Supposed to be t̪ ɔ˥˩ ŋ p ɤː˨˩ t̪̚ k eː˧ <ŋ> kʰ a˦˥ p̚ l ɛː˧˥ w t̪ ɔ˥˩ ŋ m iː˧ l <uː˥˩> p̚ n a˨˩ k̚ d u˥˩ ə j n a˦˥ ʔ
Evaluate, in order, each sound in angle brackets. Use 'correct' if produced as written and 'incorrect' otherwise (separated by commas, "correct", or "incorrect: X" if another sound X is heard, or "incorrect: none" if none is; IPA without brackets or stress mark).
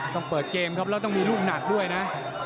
incorrect: m, correct